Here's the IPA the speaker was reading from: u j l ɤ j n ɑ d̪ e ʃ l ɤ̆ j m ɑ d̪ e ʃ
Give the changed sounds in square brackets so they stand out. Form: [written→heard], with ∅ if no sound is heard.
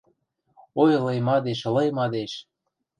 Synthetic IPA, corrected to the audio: [u→o] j l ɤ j [n→m] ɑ d̪ e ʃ l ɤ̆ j m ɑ d̪ e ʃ